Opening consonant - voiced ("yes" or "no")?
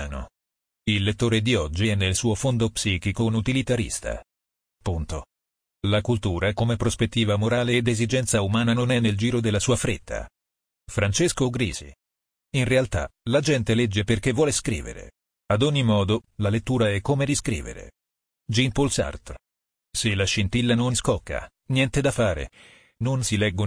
yes